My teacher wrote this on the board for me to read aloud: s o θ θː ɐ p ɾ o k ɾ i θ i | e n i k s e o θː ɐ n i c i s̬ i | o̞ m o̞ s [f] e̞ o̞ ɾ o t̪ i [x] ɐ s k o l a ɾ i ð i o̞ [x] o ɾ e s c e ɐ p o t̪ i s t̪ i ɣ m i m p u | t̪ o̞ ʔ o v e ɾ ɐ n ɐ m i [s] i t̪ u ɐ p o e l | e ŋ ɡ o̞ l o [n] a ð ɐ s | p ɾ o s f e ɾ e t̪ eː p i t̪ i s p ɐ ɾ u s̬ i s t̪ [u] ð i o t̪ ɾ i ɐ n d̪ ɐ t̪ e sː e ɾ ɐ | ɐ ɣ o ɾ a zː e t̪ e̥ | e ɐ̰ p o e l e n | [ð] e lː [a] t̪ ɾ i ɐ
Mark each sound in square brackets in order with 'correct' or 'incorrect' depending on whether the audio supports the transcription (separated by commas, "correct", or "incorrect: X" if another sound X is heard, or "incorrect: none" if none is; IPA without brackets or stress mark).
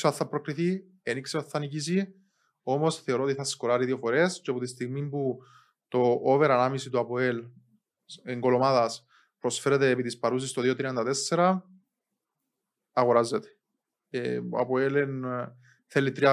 incorrect: θ, incorrect: θ, incorrect: f, correct, incorrect: m, incorrect: o, incorrect: θ, incorrect: i